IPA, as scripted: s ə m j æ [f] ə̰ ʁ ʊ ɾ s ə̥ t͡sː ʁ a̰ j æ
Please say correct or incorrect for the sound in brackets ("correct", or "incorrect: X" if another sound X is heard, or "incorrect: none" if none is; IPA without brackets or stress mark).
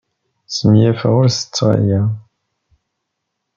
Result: correct